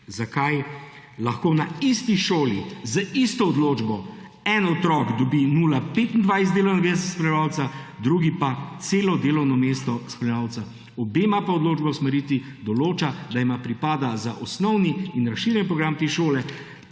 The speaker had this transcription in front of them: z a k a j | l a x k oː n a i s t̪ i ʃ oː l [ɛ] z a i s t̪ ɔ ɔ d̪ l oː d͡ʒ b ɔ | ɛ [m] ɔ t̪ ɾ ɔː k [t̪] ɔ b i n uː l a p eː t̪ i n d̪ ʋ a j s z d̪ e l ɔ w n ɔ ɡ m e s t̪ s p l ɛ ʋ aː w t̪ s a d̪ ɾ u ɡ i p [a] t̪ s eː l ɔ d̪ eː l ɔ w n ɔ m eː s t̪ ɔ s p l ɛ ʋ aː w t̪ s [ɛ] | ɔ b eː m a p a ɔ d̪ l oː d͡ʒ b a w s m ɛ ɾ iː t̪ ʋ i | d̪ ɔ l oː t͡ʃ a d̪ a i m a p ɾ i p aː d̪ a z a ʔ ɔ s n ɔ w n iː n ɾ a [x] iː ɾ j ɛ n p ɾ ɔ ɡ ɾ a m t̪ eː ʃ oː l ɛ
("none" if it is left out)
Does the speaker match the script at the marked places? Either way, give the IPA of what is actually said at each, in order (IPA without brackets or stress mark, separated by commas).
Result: i, n, d̪, a, a, ʃ